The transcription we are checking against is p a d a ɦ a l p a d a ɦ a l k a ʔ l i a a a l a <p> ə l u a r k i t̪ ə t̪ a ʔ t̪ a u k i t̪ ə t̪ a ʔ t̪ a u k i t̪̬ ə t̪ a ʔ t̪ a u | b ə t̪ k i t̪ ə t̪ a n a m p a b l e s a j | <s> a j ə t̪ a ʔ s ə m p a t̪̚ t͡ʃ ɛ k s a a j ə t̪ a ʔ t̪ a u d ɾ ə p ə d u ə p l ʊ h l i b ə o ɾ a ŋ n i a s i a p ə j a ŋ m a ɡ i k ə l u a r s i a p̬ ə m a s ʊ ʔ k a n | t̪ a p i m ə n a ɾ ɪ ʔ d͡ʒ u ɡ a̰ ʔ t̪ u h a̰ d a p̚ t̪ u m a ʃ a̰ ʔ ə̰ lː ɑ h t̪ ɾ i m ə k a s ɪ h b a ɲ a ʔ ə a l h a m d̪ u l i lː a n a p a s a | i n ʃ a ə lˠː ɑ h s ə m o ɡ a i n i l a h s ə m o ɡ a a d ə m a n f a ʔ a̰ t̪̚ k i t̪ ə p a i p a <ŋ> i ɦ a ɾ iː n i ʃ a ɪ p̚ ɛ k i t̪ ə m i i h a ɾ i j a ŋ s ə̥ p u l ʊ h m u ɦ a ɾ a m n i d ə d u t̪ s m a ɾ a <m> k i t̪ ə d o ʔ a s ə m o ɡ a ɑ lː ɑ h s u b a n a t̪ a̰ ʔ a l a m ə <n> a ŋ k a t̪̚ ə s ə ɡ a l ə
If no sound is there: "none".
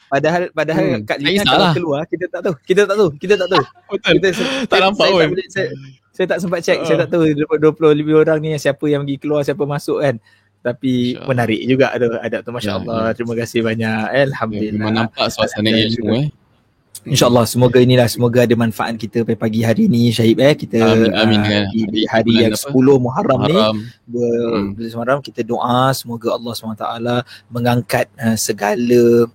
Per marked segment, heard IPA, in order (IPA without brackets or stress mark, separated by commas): k, s, ɡ, m, ŋ